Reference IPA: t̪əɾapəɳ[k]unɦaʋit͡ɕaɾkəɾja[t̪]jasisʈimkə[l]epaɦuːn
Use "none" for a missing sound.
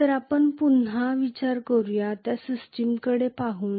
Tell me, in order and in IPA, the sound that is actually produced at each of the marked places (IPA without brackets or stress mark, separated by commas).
p, t̪, ɽ